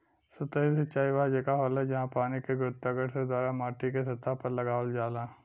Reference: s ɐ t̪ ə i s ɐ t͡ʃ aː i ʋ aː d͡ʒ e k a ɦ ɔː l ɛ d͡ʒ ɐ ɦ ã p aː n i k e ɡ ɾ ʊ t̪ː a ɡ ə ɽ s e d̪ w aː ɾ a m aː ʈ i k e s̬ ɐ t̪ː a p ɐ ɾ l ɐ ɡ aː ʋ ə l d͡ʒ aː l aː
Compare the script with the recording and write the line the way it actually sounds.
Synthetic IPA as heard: s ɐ t̪ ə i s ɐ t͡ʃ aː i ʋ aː d͡ʒ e k a ɦ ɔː l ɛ d͡ʒ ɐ ɦ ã p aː n i k e ɡ ɾ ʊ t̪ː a ɡ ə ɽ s e d̪ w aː ɾ a m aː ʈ i k e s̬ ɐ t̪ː a p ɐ ɾ l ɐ ɡ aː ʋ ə l d͡ʒ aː l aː